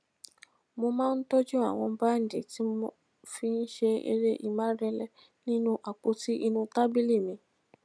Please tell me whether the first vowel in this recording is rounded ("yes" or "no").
yes